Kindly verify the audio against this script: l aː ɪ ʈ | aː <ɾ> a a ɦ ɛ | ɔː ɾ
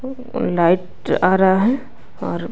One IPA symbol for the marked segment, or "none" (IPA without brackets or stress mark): ɾ